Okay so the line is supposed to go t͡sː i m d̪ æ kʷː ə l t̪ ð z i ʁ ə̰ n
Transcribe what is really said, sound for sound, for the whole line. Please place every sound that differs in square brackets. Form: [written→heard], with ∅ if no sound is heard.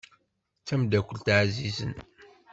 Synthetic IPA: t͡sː [i→æ] m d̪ æ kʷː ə l t̪ [ð→ʕ] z i [ʁ→z] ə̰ n